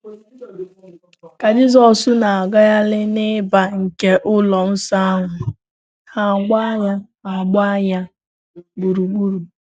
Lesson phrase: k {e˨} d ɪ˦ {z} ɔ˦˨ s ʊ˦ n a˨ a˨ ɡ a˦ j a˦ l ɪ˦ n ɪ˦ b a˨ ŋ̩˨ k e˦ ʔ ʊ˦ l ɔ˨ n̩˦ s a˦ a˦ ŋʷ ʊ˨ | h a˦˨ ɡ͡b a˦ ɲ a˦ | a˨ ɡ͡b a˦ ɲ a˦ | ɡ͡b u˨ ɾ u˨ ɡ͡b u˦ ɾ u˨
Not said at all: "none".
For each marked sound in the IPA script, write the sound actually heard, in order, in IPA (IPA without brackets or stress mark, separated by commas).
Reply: a˨, z